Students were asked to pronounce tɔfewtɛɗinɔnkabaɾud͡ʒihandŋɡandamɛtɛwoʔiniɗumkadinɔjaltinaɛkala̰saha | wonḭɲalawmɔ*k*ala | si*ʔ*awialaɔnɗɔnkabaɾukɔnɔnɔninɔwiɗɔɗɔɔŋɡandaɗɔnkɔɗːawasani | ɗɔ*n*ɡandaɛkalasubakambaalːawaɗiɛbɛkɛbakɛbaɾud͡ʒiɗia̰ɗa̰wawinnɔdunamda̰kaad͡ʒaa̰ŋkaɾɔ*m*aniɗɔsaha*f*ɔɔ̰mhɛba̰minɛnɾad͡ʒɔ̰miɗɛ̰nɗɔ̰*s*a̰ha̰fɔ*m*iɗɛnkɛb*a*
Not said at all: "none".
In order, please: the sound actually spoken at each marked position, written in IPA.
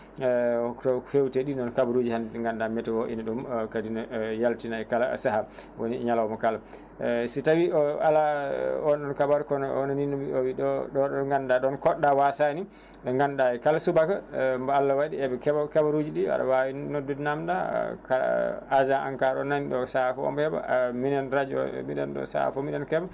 k, t, ŋ, n, f, s, m, a

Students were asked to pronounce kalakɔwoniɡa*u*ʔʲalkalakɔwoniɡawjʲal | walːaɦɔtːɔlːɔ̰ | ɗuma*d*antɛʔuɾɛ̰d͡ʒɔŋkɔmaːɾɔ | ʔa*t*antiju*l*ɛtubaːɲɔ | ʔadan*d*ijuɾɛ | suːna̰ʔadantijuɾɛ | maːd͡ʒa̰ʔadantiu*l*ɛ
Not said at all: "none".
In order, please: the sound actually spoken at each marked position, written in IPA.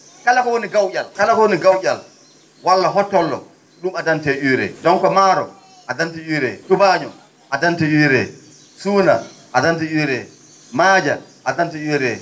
w, d, d, ɾ, t, ɾ

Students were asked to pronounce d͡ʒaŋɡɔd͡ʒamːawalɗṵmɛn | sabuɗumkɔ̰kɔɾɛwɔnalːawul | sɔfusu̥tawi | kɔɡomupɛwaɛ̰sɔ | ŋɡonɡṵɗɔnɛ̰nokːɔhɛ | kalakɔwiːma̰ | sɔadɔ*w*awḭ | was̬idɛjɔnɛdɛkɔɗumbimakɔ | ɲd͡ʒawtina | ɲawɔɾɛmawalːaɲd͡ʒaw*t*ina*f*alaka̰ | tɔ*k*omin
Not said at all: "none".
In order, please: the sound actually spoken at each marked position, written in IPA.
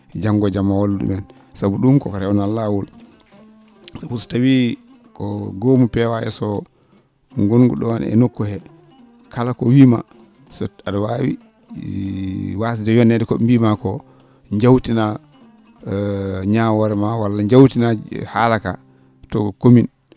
w, t, h, k

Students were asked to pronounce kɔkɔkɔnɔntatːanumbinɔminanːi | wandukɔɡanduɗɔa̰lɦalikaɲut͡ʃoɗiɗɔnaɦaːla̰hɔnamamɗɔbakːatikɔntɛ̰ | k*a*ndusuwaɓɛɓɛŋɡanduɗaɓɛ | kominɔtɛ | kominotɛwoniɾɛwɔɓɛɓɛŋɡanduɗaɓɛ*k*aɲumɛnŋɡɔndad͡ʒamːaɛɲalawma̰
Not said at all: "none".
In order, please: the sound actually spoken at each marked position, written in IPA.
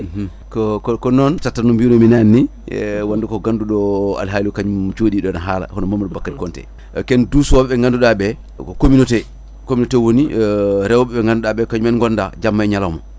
ɛ, k

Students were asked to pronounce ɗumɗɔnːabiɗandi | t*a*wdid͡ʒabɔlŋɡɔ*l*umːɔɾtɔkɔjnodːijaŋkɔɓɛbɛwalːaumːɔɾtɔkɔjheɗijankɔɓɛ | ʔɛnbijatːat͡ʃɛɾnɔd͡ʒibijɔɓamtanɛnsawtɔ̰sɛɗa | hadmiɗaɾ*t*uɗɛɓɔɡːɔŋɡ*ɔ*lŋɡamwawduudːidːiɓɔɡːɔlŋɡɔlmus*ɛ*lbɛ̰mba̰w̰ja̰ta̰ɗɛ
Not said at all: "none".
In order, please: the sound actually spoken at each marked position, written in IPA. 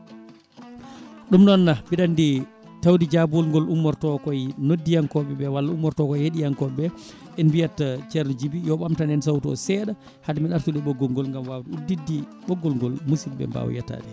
a, l, t, ɔ, i

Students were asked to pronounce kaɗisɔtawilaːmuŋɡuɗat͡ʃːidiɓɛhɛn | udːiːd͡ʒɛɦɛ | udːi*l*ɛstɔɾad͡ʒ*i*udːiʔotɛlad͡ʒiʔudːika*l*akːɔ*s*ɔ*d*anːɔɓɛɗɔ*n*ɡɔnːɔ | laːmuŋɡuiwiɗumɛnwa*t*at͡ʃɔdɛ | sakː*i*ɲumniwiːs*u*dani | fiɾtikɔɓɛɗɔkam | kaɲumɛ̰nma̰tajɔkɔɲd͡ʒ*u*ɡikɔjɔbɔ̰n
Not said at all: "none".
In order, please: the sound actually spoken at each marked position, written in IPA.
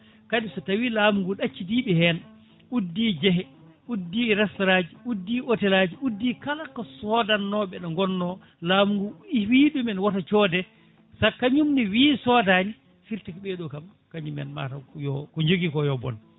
ɾ, i, l, s, d, ŋ, t, a, ɔ, o

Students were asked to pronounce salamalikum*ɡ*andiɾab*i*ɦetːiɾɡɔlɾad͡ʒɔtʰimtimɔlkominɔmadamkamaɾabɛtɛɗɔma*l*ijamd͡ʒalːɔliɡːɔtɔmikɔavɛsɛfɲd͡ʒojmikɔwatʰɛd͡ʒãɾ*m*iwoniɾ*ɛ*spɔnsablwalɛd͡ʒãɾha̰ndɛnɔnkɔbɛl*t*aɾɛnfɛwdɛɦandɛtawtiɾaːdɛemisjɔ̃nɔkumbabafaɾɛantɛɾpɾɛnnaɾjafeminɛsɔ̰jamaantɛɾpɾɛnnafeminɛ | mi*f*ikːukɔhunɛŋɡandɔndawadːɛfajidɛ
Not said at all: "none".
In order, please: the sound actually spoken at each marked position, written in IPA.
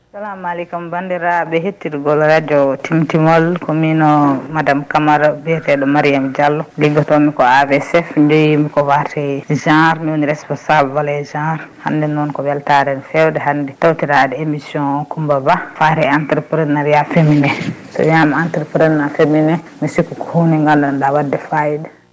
b, ɛ, ɾ, m, ɛ, t, s

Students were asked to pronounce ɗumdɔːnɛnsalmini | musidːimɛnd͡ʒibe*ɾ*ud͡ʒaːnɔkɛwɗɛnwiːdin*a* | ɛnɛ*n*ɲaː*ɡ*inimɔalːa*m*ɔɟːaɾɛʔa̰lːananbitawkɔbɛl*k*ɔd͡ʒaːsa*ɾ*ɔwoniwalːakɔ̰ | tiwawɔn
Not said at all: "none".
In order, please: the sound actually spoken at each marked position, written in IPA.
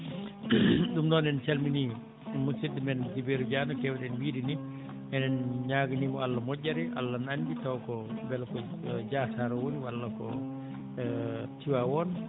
ɾ, i, n, ɡ, m, k, ɾ

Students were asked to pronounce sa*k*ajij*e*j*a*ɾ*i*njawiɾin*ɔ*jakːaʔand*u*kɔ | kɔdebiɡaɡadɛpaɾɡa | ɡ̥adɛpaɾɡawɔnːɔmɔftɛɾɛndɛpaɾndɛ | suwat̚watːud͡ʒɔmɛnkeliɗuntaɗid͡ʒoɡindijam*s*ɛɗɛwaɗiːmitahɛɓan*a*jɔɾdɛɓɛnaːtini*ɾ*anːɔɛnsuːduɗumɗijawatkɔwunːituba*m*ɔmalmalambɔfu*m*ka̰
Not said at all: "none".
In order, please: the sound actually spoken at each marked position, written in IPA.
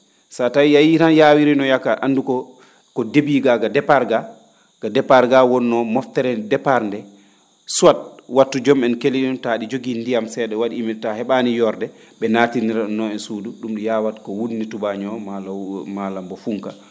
t, a, i, a, ɔ, u, s, i, ɾ, ɲ, ŋ

